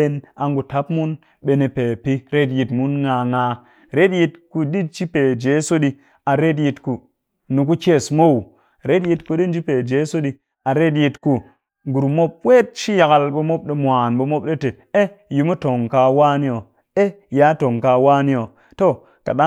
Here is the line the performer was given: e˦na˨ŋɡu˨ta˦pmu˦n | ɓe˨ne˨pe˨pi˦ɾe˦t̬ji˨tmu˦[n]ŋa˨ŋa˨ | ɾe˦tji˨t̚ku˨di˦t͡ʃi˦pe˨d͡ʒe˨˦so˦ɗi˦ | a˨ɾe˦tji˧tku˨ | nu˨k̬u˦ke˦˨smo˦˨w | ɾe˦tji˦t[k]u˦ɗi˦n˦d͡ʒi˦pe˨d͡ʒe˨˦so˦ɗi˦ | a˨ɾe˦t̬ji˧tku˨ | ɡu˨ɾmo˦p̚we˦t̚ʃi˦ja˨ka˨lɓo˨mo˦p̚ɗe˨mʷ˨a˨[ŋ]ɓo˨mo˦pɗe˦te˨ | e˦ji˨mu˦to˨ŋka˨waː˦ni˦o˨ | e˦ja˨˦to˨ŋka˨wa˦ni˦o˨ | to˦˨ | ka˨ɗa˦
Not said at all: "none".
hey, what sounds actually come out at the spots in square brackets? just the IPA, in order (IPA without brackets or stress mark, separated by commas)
n, k, n